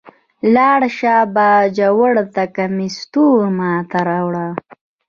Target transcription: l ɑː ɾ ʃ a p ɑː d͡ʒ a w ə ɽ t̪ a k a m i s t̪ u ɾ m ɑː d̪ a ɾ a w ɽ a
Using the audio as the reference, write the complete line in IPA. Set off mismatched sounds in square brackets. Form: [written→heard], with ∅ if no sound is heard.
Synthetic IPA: l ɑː [ɾ→ɽ] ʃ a [p→b] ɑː d͡ʒ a w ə ɽ t̪ a k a m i s t̪ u ɾ m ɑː [d̪→t̪] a ɾ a w ɽ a